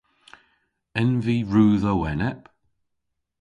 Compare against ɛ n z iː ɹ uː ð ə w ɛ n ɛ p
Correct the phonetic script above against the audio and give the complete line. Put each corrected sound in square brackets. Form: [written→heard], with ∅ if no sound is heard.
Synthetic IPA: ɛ n [z→v] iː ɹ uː ð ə w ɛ n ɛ p